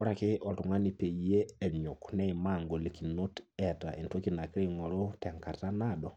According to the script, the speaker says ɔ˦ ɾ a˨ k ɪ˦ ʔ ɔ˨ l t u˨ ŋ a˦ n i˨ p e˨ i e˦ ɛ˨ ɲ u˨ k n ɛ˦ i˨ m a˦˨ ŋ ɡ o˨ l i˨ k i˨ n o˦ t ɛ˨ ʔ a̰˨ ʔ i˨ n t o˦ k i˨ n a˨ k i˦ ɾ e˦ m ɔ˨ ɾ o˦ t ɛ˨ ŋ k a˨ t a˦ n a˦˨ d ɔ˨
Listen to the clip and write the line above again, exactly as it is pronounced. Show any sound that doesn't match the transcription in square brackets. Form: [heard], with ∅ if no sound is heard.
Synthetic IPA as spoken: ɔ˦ ɾ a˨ k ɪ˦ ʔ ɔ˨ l t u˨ ŋ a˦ n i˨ p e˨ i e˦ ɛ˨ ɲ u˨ k n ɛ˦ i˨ m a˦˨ ŋ ɡ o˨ l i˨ k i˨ n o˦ t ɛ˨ [t] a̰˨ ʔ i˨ n t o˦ k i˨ n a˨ k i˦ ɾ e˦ [ŋ] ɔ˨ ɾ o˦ t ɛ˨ ŋ k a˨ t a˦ n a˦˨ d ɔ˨